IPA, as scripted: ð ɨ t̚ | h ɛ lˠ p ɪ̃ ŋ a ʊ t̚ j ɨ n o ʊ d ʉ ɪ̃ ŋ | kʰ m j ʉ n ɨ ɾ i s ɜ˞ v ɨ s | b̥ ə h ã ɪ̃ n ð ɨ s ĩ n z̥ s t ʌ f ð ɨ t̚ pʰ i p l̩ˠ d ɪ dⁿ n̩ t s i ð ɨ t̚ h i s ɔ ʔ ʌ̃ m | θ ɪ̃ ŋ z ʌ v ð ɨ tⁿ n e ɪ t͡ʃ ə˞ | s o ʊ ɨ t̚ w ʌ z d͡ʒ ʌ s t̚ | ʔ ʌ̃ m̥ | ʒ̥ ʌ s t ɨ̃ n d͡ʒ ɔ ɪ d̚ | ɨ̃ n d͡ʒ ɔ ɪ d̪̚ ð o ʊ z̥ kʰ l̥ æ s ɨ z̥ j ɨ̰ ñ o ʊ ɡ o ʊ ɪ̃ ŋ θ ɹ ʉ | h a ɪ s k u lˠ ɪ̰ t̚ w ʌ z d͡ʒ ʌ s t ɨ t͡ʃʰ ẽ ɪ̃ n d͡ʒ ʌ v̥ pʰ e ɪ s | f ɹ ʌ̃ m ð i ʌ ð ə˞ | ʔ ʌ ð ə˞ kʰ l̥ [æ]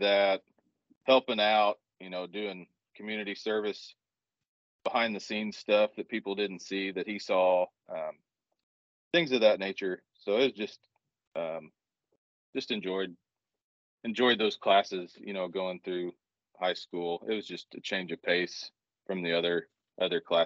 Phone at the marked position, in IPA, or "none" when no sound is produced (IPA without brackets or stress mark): æ